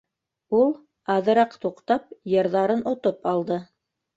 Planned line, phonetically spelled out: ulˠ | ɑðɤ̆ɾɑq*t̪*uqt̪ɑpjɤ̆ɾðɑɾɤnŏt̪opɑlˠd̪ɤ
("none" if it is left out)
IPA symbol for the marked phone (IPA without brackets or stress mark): t̪